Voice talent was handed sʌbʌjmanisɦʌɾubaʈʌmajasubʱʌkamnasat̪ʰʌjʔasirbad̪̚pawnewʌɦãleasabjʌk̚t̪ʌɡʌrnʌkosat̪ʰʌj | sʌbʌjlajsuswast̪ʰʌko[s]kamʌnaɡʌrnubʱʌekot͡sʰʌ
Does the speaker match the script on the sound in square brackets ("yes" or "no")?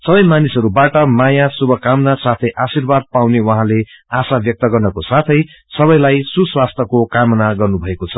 no